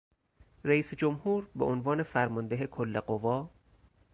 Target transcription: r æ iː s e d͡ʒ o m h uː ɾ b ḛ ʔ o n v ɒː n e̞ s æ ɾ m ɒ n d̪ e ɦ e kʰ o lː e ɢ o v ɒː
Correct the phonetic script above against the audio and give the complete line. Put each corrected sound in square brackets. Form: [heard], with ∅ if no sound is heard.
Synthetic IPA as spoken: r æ iː s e d͡ʒ o m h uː ɾ b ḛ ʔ o n v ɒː n e̞ [f] æ ɾ m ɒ n d̪ e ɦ e kʰ o lː e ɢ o v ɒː